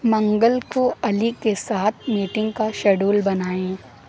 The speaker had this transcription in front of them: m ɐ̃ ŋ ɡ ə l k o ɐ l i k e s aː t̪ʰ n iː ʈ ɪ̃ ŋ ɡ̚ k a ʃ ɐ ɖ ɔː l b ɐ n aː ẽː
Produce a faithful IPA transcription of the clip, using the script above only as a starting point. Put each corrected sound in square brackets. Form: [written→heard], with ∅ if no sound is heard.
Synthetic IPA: m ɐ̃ ŋ ɡ ə l k o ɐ l i k e s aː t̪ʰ [n→m] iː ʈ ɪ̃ ŋ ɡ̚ k a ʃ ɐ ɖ [ɔː→uː] l b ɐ n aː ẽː